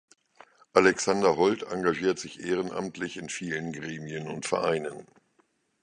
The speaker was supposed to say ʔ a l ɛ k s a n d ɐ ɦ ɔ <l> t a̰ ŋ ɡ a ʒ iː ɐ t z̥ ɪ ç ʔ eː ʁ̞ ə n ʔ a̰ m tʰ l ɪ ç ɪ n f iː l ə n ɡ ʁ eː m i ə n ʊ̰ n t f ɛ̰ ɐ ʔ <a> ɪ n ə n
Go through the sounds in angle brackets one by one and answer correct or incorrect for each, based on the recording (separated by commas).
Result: correct, correct